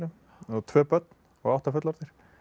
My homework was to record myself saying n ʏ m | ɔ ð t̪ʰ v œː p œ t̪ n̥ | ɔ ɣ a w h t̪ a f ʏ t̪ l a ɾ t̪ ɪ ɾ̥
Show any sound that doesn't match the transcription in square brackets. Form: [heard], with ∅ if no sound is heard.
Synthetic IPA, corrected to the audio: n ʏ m | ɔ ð t̪ʰ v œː p œ t̪ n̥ | ɔ ɣ a w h t̪ a f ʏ t̪ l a ɾ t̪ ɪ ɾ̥